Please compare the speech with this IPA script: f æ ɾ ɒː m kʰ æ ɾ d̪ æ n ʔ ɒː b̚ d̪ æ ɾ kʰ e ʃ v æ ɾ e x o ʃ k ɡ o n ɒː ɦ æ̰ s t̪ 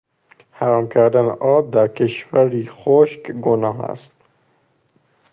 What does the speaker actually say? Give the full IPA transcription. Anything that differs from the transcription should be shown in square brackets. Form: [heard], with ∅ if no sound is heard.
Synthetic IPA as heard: [h] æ ɾ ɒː m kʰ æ ɾ d̪ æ n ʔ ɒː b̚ d̪ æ ɾ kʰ e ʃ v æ ɾ [i] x o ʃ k ɡ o n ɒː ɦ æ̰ s t̪